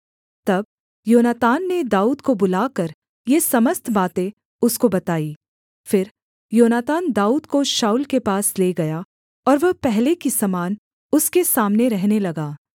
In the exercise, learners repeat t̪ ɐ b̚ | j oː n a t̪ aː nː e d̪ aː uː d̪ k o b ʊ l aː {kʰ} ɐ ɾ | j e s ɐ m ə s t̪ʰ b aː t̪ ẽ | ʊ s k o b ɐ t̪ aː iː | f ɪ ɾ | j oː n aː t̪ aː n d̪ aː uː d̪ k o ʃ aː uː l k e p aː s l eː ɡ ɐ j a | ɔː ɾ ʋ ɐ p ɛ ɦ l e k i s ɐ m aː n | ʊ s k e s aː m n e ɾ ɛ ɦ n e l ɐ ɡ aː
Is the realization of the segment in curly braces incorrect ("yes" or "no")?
yes